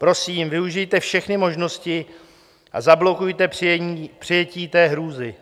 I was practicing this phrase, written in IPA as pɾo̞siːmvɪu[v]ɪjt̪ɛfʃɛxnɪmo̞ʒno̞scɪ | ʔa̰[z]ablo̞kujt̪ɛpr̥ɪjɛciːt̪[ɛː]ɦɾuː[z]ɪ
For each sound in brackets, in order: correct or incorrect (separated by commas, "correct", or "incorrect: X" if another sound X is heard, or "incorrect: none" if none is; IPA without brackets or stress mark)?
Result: incorrect: ʒ, correct, correct, correct